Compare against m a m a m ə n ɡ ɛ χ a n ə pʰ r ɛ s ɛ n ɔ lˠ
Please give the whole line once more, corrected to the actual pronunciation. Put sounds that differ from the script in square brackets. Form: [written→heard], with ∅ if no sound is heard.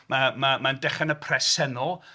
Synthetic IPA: m a m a m [ə→a] n [ɡ→d] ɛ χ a n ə pʰ r ɛ s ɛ n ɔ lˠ